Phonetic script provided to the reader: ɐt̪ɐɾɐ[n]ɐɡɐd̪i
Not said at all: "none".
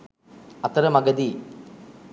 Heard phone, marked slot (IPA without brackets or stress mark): m